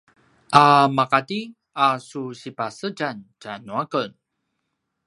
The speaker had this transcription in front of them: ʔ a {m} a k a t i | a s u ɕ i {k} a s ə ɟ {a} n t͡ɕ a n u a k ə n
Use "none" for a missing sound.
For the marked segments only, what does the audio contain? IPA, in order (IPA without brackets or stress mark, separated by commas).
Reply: m, p, a